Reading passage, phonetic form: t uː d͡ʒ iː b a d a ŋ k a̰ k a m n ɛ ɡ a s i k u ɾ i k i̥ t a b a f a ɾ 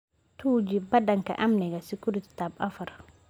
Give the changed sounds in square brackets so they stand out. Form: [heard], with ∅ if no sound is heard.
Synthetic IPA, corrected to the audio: t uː d͡ʒ [i] b a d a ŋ k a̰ [ʔ] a m n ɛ ɡ a s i k u ɾ i [t] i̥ t a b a f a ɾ